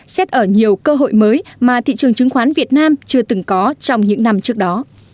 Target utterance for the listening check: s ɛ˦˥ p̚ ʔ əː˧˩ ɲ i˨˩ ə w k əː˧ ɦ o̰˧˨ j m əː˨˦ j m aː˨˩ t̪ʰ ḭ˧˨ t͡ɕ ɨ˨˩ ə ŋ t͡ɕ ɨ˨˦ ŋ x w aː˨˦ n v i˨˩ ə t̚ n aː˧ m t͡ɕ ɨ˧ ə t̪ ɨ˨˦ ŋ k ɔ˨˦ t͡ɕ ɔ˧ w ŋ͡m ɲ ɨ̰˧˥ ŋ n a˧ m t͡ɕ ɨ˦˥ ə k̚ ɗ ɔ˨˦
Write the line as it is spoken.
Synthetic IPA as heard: s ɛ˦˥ t̚ ʔ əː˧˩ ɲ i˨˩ ə w k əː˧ ɦ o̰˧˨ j m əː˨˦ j m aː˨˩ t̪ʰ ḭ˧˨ t͡ɕ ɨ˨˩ ə ŋ t͡ɕ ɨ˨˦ ŋ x w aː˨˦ n v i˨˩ ə t̚ n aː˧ m t͡ɕ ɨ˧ ə t̪ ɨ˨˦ ŋ k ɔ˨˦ t͡ɕ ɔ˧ w ŋ͡m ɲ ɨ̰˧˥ ŋ n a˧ m t͡ɕ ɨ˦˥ ə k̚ ɗ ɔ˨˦